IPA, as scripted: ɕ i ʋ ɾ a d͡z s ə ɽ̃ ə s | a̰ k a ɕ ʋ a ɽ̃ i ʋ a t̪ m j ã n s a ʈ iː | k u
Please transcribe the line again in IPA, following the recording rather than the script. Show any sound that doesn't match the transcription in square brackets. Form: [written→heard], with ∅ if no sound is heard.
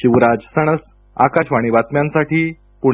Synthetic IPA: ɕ i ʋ ɾ a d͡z s ə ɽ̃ ə s | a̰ k a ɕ ʋ a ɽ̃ i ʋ a t̪ m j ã n s a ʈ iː | [k→p] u